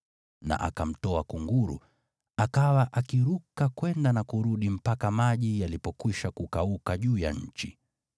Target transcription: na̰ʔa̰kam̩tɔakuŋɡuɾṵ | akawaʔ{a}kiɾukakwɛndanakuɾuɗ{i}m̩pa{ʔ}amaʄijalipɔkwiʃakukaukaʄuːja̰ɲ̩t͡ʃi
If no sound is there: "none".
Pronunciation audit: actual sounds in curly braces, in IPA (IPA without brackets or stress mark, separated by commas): a, i, k